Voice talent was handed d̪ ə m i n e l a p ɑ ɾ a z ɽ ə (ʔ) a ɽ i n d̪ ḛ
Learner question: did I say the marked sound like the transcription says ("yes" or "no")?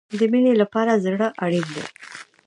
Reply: yes